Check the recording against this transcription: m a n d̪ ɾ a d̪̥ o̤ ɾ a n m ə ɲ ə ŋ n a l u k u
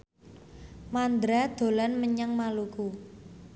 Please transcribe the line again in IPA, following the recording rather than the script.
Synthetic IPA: m a n d̪ ɾ a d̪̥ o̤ l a n m ə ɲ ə ŋ m a l u k u